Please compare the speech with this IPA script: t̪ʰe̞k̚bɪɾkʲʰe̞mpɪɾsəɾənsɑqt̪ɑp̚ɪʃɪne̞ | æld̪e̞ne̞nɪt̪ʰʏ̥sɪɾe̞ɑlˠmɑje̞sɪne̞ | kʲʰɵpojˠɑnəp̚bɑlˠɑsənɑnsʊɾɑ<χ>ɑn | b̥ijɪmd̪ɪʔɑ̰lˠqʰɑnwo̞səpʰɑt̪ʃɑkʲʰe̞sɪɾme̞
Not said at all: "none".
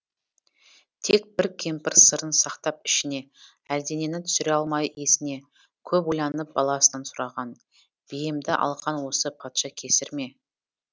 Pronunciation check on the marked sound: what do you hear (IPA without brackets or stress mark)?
ʁ